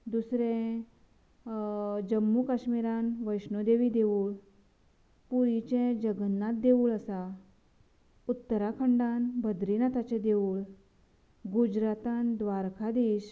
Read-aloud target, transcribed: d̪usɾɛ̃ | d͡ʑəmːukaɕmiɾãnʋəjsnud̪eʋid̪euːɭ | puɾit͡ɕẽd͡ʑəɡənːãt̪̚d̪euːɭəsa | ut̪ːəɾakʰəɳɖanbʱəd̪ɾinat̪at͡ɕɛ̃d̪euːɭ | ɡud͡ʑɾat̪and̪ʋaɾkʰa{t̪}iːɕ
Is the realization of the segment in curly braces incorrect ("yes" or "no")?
yes